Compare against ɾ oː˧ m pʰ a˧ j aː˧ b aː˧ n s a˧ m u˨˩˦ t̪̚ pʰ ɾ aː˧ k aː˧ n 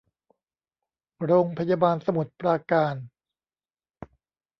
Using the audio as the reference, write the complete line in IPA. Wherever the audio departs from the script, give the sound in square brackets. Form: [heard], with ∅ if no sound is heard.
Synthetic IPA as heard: ɾ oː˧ [ŋ] pʰ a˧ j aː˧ b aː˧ n s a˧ m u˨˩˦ t̪̚ [p] ɾ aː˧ k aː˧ n